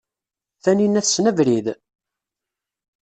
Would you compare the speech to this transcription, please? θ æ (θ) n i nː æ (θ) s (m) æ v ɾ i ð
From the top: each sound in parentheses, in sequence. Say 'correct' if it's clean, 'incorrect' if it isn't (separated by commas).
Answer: incorrect, correct, incorrect